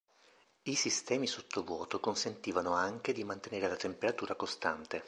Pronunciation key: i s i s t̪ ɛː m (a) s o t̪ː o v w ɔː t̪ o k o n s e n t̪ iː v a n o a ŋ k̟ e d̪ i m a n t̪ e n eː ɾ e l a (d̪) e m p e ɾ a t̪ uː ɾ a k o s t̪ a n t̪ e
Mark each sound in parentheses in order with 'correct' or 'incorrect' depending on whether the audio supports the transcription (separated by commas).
incorrect, incorrect